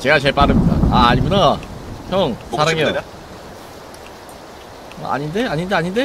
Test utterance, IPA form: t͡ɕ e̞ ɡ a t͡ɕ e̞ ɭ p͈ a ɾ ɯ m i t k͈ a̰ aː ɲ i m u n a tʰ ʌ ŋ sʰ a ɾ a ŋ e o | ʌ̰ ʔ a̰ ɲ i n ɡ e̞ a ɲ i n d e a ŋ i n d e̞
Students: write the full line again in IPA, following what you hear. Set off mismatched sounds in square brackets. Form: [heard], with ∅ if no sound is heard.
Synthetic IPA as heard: t͡ɕ e̞ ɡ a t͡ɕ e̞ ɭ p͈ a ɾ ɯ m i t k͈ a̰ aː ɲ i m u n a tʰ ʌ ŋ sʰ a ɾ a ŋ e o | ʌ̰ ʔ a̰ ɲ i n [d] e̞ a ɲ i n d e a [ɲ] i n d e̞